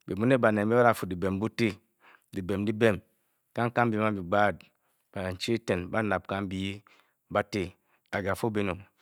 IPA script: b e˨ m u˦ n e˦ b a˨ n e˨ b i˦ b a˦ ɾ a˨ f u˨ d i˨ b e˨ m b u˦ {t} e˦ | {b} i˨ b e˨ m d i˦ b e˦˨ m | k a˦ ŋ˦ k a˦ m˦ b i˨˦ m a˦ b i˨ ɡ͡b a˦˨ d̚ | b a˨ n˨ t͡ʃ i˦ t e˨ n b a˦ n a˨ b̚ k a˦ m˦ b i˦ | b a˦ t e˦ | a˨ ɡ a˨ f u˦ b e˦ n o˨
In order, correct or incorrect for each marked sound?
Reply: correct, incorrect

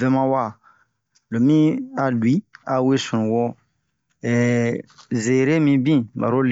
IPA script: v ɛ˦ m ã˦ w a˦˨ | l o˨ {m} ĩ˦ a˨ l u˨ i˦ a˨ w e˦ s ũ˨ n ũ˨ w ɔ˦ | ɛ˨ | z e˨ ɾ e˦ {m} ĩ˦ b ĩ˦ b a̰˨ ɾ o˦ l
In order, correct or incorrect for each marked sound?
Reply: correct, correct

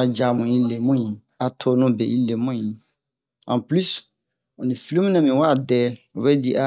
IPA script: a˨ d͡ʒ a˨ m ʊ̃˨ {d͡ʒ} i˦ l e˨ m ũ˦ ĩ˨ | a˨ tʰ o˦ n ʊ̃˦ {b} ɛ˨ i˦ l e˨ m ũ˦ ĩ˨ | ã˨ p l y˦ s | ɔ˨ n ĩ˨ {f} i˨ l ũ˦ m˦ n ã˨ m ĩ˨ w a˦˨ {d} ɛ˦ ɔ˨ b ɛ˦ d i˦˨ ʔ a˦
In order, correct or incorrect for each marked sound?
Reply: incorrect, correct, correct, correct

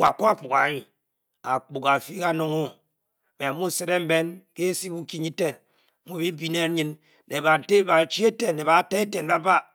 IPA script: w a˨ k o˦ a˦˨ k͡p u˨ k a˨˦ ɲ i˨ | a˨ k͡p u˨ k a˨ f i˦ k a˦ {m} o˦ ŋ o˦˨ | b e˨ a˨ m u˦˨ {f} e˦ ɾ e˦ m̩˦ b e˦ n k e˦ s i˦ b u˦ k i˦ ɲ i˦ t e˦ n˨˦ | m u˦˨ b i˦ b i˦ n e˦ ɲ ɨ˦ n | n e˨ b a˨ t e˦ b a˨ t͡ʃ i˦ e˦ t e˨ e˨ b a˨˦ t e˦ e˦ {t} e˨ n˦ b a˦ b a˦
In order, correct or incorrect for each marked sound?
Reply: incorrect, incorrect, correct

